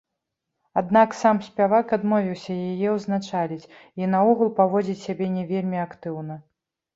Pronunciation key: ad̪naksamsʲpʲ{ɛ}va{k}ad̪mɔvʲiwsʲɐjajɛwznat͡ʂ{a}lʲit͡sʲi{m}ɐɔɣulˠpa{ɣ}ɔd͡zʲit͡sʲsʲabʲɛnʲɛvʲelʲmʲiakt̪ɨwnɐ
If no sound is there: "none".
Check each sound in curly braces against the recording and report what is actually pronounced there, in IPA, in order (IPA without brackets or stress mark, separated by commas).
a, k, a, n, v